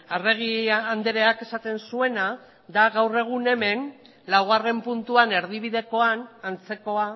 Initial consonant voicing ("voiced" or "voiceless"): voiced